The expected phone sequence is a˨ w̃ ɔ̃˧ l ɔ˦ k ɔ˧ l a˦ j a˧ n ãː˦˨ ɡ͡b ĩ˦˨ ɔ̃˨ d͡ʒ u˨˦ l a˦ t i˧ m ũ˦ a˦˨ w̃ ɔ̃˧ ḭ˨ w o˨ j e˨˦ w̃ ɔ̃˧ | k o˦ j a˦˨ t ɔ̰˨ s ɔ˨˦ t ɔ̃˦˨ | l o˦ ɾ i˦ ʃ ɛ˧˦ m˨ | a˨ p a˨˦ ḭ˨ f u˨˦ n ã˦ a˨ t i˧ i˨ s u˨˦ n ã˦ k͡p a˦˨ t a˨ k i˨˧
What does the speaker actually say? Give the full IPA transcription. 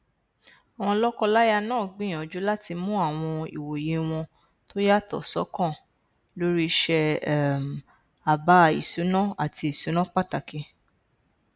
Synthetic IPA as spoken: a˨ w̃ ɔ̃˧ l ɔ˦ k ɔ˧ l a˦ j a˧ n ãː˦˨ ɡ͡b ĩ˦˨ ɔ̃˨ d͡ʒ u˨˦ l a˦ t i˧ m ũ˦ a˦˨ w̃ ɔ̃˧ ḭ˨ w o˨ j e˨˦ w̃ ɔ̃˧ | t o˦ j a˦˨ t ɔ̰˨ s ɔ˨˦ k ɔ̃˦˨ | l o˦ ɾ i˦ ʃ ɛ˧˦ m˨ | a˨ b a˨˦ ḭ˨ s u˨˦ n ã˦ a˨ t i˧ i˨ s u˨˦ n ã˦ k͡p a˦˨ t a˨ k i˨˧